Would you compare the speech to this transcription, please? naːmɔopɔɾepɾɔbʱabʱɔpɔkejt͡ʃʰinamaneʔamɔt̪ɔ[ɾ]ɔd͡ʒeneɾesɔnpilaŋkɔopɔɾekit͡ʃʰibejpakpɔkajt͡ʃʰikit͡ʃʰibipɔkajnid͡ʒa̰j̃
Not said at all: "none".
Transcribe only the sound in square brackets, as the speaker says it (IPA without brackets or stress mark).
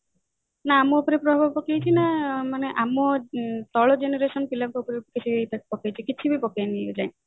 ɭ